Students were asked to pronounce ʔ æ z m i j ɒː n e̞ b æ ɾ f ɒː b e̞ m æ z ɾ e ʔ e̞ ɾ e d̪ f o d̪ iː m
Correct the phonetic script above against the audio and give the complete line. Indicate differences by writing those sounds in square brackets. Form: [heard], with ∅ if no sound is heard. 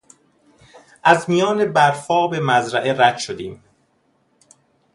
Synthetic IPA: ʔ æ z m i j ɒː n e̞ b æ ɾ f ɒː b e̞ m æ z ɾ [æ] ʔ e̞ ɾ [æ] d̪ [ʃ] o d̪ iː m